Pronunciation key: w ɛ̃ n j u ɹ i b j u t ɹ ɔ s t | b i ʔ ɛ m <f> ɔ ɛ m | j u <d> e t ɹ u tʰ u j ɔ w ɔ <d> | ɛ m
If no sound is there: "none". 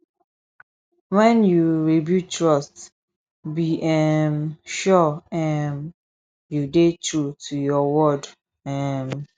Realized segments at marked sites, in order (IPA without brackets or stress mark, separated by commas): ʃ, d, d